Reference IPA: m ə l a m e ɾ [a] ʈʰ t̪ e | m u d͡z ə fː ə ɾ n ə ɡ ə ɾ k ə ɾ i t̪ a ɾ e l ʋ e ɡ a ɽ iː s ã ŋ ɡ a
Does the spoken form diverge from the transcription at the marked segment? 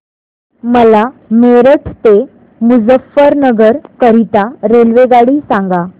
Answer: yes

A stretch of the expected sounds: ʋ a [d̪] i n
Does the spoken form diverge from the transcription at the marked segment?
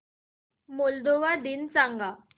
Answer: no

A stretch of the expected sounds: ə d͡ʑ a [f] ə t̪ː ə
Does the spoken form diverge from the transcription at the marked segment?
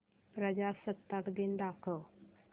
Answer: yes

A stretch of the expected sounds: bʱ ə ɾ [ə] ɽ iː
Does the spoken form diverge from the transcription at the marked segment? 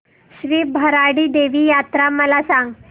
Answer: yes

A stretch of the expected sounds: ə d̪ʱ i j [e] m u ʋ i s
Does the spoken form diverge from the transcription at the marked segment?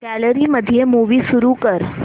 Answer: no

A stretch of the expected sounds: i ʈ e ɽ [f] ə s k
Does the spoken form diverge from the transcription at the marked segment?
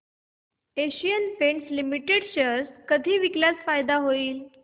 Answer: yes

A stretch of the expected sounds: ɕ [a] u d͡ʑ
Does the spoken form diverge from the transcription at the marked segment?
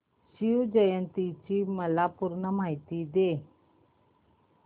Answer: yes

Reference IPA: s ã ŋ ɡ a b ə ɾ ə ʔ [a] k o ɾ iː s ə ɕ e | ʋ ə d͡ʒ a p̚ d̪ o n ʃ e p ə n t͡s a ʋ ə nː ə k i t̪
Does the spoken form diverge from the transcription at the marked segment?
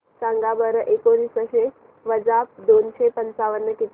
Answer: yes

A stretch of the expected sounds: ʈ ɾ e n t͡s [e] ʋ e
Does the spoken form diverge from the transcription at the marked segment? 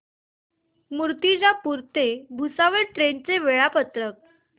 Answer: no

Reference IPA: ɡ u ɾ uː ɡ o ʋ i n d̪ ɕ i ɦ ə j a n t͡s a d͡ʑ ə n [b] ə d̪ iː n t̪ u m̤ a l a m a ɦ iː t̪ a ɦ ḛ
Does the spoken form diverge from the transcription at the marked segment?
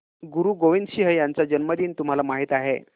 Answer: yes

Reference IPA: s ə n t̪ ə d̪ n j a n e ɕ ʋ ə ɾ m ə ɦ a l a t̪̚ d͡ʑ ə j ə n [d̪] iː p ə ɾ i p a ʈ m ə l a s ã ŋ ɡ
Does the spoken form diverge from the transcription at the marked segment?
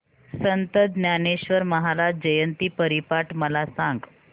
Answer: yes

